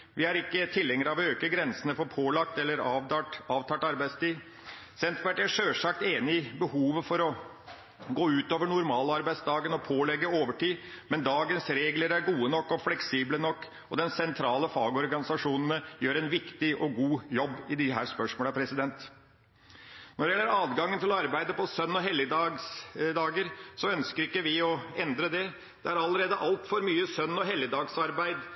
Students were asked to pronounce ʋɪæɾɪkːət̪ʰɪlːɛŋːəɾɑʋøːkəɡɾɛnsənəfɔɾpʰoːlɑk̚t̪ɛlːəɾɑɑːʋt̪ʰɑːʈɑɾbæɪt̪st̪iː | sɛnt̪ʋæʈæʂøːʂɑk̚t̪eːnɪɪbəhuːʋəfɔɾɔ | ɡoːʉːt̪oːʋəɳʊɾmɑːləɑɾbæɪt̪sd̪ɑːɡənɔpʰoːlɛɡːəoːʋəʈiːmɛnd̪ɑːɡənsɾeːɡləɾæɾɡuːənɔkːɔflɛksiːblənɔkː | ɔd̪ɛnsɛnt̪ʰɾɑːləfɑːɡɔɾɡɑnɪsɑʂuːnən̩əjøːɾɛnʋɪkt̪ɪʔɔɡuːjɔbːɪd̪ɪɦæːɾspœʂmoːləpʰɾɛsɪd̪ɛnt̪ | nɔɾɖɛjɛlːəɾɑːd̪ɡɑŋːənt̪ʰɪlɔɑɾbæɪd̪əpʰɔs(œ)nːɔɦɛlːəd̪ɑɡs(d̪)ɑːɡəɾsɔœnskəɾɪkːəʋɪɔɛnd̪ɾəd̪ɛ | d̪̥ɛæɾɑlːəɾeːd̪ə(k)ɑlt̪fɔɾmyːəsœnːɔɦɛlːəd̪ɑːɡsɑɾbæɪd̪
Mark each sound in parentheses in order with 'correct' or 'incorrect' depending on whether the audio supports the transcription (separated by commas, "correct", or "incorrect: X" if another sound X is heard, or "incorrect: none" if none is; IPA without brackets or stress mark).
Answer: correct, correct, incorrect: ʔ